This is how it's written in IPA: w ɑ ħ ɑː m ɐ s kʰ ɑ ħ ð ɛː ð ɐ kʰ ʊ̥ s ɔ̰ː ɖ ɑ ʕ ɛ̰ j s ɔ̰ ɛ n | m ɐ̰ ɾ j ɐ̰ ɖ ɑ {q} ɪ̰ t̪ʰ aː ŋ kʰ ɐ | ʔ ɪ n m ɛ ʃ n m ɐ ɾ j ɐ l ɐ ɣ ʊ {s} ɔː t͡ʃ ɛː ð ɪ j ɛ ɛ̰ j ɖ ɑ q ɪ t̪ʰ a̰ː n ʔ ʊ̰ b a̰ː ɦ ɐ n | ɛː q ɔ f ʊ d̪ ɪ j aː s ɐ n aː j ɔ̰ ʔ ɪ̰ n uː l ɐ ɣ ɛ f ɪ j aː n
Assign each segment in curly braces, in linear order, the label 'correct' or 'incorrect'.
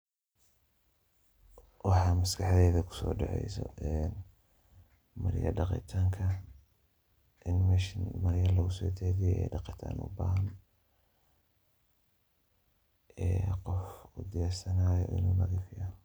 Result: correct, correct

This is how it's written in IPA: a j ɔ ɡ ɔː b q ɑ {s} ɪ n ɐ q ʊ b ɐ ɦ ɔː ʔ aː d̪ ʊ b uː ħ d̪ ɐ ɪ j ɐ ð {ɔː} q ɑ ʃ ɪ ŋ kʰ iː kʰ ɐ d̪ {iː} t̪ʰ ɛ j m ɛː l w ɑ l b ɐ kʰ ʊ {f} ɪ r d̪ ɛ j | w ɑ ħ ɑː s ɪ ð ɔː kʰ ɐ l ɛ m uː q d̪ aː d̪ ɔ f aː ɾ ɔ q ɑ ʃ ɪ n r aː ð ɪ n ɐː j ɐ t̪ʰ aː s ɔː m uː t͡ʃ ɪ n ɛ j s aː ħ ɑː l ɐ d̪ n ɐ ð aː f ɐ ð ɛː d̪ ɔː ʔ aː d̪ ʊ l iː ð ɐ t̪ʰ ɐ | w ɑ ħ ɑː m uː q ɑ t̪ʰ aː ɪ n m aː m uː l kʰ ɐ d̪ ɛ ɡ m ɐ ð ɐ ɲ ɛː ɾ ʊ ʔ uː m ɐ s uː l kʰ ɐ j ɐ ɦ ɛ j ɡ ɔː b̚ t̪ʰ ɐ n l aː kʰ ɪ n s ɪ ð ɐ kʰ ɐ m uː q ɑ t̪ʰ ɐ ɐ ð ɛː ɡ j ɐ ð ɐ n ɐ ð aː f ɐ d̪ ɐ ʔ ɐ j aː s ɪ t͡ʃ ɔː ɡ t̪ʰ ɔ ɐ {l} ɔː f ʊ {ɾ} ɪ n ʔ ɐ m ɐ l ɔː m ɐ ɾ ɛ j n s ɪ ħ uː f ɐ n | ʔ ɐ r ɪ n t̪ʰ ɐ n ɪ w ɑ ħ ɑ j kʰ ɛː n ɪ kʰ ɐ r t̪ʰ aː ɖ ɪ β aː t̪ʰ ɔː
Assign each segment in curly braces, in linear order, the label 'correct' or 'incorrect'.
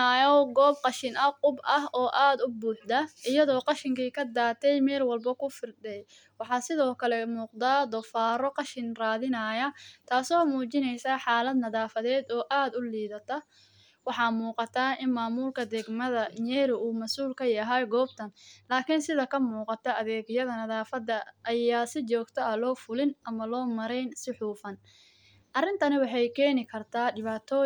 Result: incorrect: ʃ, correct, incorrect: aː, correct, correct, incorrect: l

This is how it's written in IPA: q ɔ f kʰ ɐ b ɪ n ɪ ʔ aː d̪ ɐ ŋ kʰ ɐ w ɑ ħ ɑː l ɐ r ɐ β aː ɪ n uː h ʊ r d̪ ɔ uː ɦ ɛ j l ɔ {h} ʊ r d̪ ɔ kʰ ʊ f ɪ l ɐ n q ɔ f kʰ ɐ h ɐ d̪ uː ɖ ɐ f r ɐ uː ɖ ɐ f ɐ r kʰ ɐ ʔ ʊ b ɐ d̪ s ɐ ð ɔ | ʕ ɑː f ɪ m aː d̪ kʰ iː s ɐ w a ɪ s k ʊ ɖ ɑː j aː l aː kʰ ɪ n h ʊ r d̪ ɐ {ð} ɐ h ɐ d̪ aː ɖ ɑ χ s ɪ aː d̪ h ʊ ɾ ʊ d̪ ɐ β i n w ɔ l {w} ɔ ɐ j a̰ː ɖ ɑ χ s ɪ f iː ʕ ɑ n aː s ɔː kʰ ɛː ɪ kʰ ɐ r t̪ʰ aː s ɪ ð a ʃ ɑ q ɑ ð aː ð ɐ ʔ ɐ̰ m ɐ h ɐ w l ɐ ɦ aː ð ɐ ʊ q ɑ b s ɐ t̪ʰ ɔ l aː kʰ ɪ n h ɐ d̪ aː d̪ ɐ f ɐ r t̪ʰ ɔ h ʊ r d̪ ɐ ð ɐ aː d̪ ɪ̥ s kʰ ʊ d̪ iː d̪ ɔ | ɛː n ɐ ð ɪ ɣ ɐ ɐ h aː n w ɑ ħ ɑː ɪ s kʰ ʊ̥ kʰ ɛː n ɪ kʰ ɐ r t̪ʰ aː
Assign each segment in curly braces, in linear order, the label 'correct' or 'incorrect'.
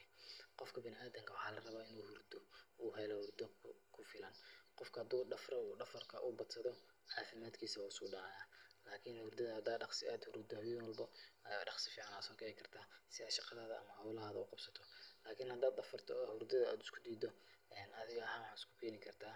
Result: correct, correct, incorrect: b

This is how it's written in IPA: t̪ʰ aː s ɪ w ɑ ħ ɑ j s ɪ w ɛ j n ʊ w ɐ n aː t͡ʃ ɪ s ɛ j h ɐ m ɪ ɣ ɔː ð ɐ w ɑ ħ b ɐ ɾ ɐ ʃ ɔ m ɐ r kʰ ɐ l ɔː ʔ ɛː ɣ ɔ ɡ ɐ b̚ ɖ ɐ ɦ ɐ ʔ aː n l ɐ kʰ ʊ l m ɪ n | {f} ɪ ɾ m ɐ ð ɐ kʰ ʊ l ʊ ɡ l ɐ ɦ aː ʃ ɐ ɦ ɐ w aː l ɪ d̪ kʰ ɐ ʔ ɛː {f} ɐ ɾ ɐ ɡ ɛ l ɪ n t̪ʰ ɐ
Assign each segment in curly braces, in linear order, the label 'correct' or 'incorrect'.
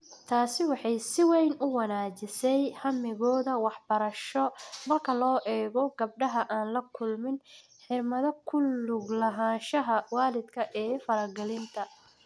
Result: incorrect: ħ, correct

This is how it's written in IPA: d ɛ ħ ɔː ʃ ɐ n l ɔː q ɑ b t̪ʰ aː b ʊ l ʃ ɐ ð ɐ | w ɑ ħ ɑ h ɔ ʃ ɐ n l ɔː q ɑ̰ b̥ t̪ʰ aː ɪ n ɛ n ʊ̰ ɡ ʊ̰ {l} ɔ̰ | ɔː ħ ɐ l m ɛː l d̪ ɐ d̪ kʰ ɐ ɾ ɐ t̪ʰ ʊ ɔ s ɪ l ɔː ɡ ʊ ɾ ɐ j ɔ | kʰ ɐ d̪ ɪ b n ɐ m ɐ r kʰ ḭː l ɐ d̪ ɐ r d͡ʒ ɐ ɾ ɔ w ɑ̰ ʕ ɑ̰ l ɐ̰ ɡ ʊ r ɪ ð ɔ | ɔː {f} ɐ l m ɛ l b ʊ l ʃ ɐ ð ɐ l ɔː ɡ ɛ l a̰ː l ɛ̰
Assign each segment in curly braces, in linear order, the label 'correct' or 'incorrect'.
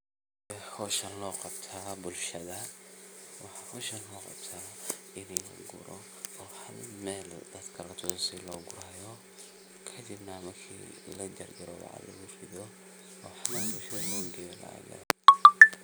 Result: incorrect: ɾ, incorrect: ħ

